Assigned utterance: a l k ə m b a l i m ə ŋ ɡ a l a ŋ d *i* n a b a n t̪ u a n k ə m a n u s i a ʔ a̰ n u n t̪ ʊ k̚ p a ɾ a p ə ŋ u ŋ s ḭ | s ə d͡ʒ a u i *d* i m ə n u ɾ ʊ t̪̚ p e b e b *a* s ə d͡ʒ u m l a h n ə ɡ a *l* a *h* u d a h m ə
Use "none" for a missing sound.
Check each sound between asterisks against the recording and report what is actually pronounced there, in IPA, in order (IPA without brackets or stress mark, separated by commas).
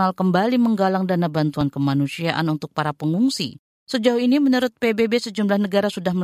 a, n, e, ɾ, s